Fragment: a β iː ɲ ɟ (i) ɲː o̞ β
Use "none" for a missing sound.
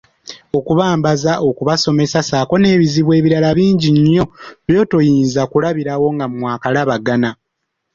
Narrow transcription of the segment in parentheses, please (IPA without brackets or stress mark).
i